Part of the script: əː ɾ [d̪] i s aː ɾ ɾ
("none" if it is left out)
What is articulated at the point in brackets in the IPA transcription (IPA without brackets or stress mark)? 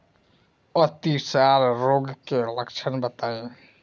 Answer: t̪